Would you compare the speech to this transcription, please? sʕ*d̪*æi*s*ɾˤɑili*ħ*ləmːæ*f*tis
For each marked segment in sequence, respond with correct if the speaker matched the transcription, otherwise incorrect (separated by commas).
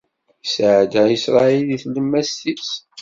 correct, correct, incorrect, incorrect